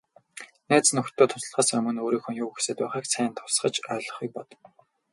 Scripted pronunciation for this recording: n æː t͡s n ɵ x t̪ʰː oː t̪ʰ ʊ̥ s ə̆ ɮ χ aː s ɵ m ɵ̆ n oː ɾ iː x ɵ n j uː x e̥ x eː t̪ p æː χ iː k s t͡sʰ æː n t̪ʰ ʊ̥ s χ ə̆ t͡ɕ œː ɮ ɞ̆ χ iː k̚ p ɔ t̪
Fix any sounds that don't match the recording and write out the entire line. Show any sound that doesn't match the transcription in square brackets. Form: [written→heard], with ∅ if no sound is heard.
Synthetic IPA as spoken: n æː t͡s n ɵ x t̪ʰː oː t̪ʰ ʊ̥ s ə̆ ɮ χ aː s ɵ m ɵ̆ n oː ɾ iː x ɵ n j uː x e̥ [x→s] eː t̪ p æː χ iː k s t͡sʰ æː n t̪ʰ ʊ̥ s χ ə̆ t͡ɕ œː ɮ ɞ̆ χ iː k̚ p ɔ t̪